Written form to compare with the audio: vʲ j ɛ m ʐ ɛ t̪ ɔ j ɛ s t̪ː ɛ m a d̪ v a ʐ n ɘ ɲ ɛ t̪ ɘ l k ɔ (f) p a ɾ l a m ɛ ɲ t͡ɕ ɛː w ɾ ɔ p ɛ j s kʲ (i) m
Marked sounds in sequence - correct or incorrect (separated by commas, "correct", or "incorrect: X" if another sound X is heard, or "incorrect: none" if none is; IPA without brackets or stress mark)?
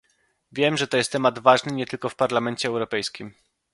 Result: correct, correct